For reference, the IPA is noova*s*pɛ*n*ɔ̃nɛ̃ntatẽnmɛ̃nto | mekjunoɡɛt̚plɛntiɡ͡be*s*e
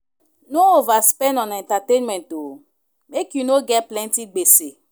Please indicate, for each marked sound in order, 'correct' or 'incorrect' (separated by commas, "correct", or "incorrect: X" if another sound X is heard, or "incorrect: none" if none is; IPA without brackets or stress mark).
correct, correct, correct